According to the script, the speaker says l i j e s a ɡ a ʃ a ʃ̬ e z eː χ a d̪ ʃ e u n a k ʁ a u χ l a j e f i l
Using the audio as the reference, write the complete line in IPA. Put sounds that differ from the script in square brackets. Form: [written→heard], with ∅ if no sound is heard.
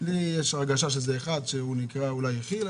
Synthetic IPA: l i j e [s→ʃ] a ɡ a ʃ a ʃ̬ e z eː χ a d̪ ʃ e u n [a→i] k ʁ a u [χ→∅] l a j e [f→χ] i l

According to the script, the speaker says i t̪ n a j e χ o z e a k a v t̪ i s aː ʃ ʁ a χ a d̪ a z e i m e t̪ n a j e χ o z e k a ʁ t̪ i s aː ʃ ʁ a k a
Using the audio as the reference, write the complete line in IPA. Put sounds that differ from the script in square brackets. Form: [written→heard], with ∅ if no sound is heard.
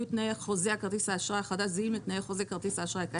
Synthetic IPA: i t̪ n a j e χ o z e a k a [v→ʁ] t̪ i s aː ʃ ʁ a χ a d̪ a z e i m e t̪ n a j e χ o z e k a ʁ t̪ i s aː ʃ ʁ a k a

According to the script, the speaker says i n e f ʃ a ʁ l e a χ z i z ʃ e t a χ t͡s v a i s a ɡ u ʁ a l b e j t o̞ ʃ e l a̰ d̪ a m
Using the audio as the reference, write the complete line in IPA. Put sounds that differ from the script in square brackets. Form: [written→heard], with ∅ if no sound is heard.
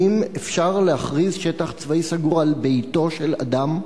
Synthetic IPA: i [n→m] e f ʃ a ʁ l e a χ [z→ʁ] i z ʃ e t a χ t͡s v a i s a ɡ u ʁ a l b e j t o̞ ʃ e l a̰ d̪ a m

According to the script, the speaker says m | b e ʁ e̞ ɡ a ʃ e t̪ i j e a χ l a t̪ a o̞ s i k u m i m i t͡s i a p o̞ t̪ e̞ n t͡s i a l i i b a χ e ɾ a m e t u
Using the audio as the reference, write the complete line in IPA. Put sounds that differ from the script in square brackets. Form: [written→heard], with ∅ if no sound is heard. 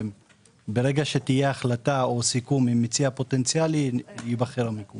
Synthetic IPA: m | b e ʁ e̞ ɡ a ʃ e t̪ i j e a χ l a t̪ a o̞ s i k u m i m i t͡s i a p o̞ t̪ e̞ n t͡s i a l i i b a χ e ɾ a m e [t→k] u

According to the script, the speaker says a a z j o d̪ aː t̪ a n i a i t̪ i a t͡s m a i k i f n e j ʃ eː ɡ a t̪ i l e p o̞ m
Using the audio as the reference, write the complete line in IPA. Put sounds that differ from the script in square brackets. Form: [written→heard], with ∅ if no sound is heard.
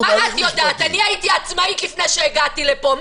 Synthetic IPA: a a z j o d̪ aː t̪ a n i a i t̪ i a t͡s m a i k i f n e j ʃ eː ɡ a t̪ i l e p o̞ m

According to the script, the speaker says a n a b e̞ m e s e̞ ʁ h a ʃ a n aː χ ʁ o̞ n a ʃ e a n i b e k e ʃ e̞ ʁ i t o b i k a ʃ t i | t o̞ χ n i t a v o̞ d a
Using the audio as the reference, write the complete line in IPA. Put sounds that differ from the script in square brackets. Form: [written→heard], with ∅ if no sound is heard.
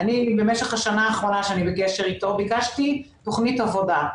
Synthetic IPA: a n [a→i] b e̞ m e [s→ʃ] e̞ [ʁ→χ] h a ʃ a n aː χ ʁ o̞ n a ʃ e a n i b e k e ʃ e̞ ʁ i t o b i k a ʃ t i | t o̞ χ n i t a v o̞ d a

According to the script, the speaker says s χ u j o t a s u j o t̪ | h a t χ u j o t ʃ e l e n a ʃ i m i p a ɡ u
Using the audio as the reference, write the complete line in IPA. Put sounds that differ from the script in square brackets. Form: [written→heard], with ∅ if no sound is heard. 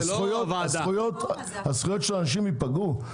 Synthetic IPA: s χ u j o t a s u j o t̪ | h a [t→s] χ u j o t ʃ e l [e→a] n a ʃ i m i p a ɡ u

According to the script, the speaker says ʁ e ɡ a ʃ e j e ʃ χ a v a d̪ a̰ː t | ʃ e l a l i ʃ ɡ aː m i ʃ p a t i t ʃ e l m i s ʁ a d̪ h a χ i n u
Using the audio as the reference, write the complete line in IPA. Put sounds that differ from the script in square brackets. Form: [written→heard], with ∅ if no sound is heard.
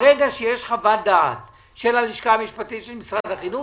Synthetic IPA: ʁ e ɡ a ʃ e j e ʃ χ a v a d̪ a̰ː t | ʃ e l a l i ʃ [ɡ→k] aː m i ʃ p a t i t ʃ e l m i s ʁ a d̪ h a χ i n u

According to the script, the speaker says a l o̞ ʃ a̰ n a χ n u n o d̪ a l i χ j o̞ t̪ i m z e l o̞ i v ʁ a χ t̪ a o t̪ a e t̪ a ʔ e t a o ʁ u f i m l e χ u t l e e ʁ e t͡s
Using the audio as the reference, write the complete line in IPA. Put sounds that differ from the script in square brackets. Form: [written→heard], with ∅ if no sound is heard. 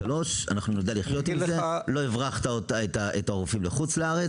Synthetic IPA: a l o̞ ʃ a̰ n a χ n u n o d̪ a l i χ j o̞ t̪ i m z e l o̞ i v ʁ a χ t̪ a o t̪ a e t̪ a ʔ e t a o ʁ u f i m l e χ u [t→t͡s] l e [e→a] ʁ e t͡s

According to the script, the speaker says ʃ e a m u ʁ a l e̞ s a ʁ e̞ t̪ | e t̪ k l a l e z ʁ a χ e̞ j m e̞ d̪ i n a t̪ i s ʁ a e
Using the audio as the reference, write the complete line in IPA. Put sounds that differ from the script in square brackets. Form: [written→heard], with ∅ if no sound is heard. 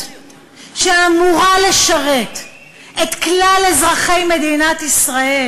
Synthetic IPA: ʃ e a m u ʁ a l e̞ [s→ʃ] a ʁ e̞ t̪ | e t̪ k l a l e z ʁ a χ e̞ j m e̞ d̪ i n a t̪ i s ʁ a e

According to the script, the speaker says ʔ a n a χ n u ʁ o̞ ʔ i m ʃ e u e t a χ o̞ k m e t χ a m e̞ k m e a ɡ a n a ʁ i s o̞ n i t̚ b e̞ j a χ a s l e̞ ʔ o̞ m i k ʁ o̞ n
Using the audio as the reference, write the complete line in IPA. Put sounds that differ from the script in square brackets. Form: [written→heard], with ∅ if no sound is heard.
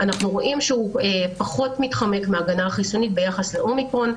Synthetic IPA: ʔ a n a χ n u ʁ o̞ ʔ i m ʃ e u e [t→p] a χ o̞ [k→t] m [e→i] t χ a m e̞ k m e a ɡ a n a [ʁ→χ] i s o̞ n i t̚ b e̞ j a χ a s l e̞ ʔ o̞ m i k ʁ o̞ n

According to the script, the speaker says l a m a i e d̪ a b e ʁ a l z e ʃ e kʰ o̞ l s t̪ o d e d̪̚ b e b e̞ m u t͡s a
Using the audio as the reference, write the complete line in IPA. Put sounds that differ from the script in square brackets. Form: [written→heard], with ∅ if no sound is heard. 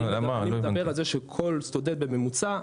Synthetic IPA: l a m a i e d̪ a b e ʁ a l z e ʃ e kʰ o̞ l s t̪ o d e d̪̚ b e [b→m] e̞ m u t͡s a

